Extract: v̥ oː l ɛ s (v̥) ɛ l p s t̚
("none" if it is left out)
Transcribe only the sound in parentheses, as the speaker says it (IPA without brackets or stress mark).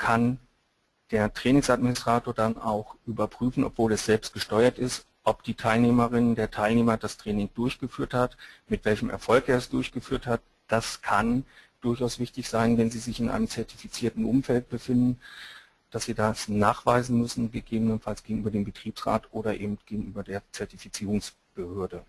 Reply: z̥